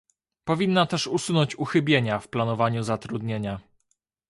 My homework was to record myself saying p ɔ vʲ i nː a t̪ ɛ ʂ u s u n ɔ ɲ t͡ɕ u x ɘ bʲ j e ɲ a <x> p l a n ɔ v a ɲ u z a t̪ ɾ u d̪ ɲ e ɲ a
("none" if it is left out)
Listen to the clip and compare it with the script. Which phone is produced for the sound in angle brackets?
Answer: f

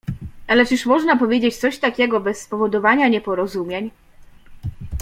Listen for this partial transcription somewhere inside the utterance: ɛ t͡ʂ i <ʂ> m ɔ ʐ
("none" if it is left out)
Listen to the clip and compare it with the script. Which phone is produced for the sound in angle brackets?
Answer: ʂ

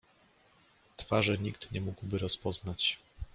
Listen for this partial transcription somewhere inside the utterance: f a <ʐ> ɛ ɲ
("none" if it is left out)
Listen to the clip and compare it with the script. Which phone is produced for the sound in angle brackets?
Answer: ʐ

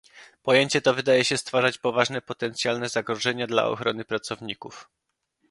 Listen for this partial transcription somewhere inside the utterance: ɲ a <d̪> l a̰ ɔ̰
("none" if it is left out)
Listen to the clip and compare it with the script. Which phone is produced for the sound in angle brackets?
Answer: d̪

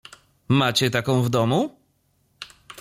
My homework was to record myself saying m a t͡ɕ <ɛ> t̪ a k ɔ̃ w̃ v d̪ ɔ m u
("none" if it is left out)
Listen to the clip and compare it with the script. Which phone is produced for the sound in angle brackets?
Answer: ɛ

